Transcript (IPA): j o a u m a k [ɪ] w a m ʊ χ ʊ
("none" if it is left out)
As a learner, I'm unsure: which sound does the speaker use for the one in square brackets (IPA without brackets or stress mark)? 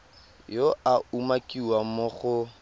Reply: i